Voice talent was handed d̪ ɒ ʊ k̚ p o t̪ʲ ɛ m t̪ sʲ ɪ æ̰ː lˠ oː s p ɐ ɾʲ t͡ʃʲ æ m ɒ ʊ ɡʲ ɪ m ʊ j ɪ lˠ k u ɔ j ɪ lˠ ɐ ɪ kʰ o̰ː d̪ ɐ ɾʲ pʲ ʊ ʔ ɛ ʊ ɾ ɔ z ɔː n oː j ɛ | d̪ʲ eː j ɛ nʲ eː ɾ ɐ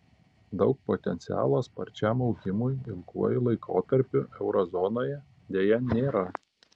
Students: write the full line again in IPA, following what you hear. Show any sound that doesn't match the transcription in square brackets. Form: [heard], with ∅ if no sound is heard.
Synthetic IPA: d̪ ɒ ʊ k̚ p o t̪ʲ ɛ [n] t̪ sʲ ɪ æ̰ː lˠ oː s p ɐ ɾʲ t͡ʃʲ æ m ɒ ʊ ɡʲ ɪ m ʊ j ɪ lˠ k u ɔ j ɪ lˠ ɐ ɪ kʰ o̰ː [t̪] ɐ ɾʲ pʲ ʊ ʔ ɛ ʊ ɾ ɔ z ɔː n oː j ɛ | d̪ʲ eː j ɛ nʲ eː ɾ ɐ